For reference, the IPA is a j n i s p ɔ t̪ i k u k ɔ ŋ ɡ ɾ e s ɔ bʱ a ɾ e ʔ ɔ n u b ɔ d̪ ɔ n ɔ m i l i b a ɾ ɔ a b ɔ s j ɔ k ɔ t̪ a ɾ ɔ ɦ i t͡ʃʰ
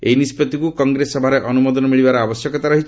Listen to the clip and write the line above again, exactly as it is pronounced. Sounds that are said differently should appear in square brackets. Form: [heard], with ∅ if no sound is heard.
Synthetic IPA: [e] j n i s p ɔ t̪ i k u k ɔ ŋ ɡ ɾ e s ɔ bʱ a ɾ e ʔ ɔ n u [m] ɔ d̪ ɔ n ɔ m i [ɭ] i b a ɾ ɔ a b ɔ s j ɔ k ɔ t̪ a ɾ ɔ ɦ i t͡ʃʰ